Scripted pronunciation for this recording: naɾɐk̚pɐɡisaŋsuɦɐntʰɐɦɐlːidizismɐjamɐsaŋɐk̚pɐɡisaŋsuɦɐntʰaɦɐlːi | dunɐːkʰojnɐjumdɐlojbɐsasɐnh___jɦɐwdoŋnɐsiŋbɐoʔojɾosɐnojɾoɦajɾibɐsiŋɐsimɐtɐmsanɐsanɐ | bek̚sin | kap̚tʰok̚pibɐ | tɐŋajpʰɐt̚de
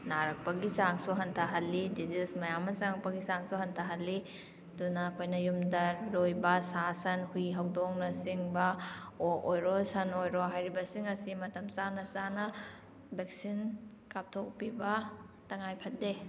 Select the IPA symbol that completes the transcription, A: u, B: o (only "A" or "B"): A